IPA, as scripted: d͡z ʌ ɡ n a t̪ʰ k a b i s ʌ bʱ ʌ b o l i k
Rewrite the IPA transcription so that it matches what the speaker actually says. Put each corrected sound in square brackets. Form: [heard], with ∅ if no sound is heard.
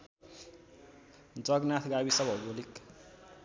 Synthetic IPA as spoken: d͡z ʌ ɡ n a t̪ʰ [ɡ] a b i s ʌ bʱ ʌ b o l i k